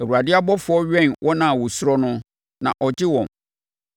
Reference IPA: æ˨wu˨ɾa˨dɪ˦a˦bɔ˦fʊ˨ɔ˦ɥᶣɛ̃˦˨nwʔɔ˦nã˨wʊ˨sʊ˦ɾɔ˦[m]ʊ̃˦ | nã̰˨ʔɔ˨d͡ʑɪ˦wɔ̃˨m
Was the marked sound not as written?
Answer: yes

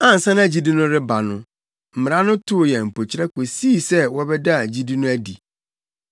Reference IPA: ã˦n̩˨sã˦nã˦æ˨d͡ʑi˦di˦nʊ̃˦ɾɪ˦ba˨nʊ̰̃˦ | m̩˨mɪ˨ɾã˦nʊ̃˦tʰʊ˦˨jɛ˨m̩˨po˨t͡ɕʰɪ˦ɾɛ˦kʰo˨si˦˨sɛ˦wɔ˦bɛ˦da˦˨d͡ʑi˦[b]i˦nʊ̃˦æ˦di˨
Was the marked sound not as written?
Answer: yes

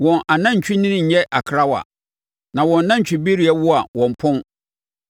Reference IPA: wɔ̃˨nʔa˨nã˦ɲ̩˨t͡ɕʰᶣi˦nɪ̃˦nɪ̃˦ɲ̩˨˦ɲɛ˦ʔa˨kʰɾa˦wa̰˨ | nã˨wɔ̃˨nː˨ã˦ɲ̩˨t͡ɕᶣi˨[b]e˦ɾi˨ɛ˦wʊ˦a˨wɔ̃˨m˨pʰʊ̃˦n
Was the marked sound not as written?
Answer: no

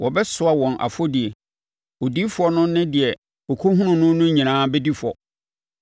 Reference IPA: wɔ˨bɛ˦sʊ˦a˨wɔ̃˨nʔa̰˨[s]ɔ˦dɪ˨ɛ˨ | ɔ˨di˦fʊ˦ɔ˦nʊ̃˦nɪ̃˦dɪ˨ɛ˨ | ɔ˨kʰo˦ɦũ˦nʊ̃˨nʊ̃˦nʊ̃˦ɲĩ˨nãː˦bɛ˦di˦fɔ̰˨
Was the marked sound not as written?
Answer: yes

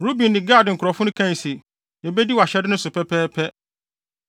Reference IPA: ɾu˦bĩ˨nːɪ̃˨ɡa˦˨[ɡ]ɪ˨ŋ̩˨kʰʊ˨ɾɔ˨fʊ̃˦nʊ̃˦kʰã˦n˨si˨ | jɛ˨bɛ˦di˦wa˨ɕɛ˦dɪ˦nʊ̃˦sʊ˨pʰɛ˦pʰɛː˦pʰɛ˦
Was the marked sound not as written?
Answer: yes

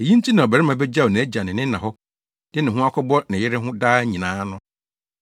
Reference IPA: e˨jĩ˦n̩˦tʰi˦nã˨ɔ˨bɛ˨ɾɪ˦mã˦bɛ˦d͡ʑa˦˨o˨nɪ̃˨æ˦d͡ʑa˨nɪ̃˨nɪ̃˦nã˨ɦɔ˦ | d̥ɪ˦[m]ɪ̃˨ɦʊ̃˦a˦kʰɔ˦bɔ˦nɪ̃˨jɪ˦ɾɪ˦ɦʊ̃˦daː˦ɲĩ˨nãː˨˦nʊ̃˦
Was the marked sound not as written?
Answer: yes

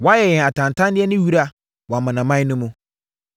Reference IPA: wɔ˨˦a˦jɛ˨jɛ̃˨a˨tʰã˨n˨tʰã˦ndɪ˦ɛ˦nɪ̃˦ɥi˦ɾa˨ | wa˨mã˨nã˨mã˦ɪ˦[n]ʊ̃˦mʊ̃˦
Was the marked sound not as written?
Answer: no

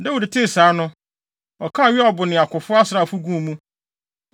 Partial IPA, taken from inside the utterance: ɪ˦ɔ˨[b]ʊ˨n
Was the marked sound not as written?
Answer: no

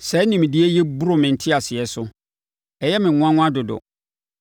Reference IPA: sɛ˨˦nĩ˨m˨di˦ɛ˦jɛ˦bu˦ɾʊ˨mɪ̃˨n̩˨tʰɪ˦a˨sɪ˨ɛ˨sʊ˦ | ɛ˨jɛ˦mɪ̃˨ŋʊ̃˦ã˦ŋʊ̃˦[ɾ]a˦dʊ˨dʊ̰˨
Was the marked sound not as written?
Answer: yes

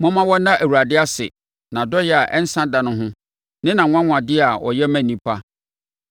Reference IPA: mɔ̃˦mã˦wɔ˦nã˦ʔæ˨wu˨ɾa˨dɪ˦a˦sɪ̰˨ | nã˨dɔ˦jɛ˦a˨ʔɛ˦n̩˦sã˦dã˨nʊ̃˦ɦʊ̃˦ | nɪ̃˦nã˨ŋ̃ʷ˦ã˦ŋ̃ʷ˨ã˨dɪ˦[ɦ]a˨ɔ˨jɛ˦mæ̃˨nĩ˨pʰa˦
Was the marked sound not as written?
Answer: yes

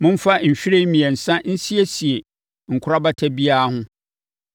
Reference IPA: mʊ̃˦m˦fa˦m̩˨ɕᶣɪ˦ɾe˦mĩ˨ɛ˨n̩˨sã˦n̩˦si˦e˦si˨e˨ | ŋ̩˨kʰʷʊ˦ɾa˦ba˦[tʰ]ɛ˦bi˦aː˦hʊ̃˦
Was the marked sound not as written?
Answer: no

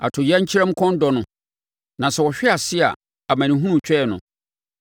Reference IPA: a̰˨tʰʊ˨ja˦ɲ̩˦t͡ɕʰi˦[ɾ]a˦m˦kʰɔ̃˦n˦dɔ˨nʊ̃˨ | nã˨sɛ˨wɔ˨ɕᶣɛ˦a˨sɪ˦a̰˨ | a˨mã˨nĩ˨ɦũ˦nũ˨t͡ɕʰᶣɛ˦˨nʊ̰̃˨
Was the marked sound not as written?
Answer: no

